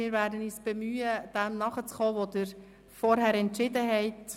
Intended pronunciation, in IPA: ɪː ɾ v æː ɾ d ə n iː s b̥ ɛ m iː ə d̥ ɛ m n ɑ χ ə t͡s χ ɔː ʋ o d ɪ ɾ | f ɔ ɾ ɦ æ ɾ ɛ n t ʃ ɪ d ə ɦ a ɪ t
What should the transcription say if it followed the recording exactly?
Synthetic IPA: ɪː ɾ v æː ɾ d ə n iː s b̥ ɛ m yː ə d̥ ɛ m n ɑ χ ə t͡s χ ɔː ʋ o d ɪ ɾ | f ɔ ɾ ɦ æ ɾ ɛ n t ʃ ɪ d ə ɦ ɛ ɪ t